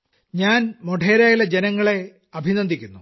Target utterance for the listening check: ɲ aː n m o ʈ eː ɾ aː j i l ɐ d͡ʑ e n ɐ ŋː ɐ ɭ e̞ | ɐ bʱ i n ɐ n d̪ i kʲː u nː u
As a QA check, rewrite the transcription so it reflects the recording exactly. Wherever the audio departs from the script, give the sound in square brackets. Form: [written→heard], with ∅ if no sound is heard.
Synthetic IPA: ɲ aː n m o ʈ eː ɾ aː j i l ɐ d͡ʑ e n ɐ ŋː ɐ ɭ e̞ | ɐ bʱ i n ɐ n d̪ i kʲː u nː u

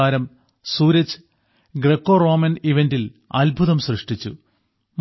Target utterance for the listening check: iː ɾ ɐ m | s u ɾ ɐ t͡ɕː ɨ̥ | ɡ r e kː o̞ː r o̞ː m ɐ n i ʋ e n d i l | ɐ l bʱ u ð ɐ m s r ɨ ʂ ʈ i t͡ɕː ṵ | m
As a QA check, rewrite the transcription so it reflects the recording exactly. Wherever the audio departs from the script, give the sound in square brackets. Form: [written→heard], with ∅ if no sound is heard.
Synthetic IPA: [iː→aː] ɾ ɐ m | s [u→uː] ɾ ɐ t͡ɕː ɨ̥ | ɡ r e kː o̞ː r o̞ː m ɐ n i ʋ e n d i l | ɐ l bʱ u ð ɐ m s r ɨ ʂ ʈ i t͡ɕː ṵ | m

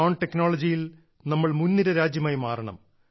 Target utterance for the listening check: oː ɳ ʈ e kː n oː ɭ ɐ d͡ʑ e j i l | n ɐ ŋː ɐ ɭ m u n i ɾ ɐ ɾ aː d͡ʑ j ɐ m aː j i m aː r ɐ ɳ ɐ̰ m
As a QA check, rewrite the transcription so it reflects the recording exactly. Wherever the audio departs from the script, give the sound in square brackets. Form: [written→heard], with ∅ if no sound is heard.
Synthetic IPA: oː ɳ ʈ e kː n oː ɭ ɐ d͡ʑ [e→i] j i l | n ɐ [ŋː→mː] ɐ ɭ m u [n→nː] i ɾ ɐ ɾ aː d͡ʑ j ɐ m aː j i m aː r ɐ ɳ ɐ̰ m

